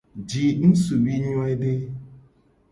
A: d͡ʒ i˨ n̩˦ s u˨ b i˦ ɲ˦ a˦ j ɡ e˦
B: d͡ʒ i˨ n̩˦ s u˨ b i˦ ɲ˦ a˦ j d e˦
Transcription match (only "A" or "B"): B